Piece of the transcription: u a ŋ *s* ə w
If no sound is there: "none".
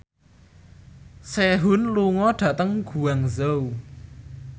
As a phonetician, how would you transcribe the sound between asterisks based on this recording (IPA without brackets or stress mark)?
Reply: z